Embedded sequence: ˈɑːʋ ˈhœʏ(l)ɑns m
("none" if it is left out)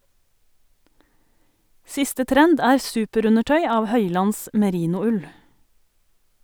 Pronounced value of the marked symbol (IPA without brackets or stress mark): l